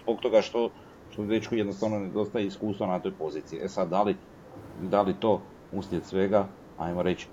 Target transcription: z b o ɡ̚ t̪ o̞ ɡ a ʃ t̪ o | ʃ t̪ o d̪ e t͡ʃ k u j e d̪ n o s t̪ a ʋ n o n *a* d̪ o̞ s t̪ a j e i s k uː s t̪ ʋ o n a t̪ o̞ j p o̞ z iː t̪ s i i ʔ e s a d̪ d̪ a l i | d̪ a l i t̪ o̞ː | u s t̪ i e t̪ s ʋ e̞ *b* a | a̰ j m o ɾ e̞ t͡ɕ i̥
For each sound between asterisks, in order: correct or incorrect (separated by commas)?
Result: incorrect, incorrect